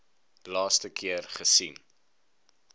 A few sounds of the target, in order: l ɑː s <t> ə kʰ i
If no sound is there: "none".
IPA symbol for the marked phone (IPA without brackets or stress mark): t